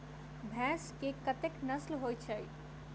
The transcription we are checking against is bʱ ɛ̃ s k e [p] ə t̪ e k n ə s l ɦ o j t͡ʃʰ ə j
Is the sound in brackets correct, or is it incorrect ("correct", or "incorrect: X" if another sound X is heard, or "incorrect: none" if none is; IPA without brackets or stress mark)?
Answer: incorrect: k